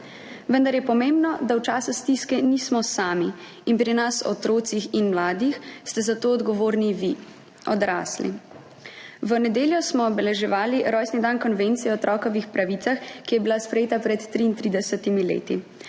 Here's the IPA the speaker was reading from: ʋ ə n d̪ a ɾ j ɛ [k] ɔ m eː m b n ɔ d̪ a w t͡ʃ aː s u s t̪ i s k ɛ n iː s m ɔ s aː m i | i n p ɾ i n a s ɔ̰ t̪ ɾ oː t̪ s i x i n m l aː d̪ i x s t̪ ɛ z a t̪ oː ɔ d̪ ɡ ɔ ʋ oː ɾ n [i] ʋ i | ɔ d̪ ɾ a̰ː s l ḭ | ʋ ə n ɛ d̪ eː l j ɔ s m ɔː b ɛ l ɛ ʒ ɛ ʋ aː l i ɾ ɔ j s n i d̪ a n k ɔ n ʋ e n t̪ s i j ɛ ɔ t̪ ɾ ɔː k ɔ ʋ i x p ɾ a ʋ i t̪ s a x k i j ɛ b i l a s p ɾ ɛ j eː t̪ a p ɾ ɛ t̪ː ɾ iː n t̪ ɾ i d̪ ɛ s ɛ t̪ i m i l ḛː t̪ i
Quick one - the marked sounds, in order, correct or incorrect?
incorrect, correct

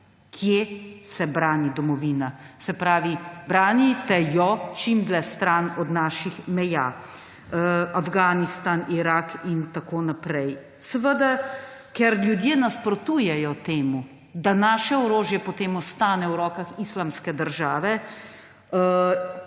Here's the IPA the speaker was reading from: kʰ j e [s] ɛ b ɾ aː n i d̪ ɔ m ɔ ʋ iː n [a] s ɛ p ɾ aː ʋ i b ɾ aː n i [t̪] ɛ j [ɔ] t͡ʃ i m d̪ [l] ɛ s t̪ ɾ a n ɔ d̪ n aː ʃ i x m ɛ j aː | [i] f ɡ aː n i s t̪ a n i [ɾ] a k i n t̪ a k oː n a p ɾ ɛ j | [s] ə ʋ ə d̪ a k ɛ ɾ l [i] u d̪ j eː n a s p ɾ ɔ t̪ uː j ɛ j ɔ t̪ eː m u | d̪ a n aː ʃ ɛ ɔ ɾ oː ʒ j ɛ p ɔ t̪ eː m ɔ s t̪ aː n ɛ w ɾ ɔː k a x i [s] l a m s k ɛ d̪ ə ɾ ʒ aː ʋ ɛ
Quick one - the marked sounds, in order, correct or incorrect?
correct, correct, correct, correct, correct, incorrect, correct, correct, incorrect, correct

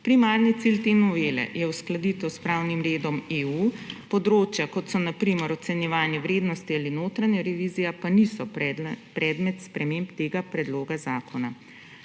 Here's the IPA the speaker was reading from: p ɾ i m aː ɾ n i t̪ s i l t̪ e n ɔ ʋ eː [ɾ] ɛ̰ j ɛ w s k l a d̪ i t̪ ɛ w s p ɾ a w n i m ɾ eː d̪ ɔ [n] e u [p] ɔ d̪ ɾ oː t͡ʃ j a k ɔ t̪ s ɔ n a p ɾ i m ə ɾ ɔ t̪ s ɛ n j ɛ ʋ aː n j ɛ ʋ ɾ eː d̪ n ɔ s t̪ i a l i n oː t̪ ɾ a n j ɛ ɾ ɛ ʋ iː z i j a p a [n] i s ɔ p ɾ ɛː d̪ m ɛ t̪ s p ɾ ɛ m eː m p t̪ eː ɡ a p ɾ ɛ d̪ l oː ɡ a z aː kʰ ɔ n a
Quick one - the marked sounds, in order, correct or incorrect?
incorrect, incorrect, correct, correct

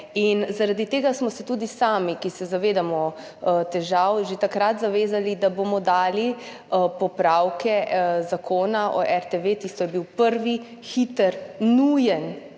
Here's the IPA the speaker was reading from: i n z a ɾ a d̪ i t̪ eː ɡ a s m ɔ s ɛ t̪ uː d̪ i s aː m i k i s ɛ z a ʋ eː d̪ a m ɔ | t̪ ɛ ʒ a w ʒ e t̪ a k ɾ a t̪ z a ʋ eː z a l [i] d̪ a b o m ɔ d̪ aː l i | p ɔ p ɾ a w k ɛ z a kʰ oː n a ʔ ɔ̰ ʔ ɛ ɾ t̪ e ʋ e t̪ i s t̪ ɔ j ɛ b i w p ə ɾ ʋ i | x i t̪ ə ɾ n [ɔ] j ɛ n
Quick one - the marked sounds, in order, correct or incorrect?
correct, incorrect

